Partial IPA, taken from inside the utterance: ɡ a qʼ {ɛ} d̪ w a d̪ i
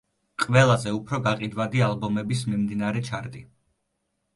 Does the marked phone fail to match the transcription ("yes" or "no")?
yes